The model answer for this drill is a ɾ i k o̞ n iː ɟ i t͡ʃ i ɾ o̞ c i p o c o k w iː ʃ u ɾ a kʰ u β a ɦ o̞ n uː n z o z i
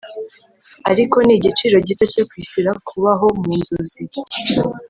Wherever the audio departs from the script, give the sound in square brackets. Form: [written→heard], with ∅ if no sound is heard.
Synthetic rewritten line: a ɾ i k o̞ n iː ɟ i t͡ʃ i ɾ o̞ [c→ɟ] i [p→t] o c o k w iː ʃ u ɾ a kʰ u β a ɦ o̞ [n→m] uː n z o z i